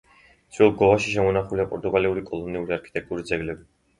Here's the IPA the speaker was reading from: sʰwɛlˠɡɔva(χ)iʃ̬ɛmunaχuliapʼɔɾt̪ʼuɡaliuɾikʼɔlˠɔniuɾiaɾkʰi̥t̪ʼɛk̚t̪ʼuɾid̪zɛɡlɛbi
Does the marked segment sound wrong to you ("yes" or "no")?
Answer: yes